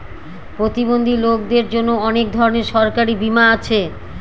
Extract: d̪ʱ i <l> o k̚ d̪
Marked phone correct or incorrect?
correct